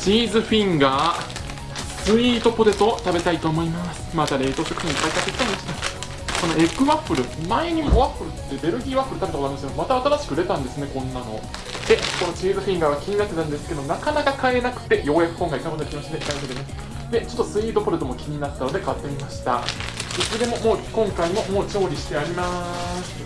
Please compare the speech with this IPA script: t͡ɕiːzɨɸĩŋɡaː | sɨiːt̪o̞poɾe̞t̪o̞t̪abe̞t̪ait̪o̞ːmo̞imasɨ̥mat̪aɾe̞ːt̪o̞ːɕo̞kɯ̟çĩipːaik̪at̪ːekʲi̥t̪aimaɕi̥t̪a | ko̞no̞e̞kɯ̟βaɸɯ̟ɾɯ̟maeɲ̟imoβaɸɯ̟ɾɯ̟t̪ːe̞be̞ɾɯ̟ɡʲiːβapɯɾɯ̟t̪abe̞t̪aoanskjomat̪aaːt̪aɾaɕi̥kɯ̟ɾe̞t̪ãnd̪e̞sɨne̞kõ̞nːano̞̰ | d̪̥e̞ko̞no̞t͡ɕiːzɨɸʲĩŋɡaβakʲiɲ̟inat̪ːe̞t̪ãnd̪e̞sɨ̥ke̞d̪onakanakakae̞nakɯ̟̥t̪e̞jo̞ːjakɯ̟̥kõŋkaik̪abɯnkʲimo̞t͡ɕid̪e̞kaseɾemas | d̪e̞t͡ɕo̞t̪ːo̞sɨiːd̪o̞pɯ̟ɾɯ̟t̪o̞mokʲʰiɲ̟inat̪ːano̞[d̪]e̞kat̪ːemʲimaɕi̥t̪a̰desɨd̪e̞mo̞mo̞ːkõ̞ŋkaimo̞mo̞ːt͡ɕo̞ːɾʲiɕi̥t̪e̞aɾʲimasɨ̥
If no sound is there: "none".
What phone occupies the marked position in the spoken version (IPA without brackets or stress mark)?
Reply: d̪